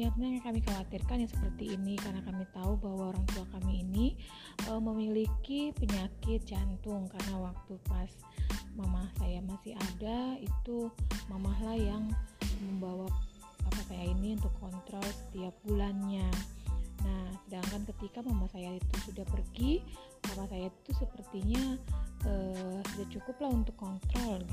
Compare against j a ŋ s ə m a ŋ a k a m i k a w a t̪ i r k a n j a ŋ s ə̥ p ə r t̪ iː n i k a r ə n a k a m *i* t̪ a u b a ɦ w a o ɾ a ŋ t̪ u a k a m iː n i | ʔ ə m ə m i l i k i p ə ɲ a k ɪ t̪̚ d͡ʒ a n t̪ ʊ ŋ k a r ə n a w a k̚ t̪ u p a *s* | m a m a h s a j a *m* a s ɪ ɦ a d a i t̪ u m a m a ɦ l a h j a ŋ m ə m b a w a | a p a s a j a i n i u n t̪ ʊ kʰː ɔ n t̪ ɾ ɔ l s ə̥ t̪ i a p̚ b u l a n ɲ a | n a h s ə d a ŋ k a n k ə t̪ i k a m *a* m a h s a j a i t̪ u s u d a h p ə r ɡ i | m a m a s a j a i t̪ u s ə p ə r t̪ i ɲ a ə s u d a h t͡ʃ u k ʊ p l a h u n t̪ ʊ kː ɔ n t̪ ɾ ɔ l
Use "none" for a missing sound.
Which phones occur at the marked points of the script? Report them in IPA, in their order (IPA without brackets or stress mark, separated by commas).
i, s, m, a